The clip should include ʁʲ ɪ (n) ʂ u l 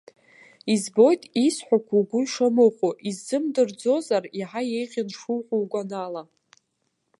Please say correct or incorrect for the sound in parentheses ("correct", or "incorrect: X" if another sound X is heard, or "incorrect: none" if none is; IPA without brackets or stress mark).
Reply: correct